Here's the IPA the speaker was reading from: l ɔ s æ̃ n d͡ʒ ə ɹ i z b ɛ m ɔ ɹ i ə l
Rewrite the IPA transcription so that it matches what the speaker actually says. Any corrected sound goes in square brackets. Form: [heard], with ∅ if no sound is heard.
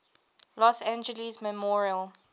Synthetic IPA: l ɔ s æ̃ n d͡ʒ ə [l] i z [m] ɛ m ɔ ɹ i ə l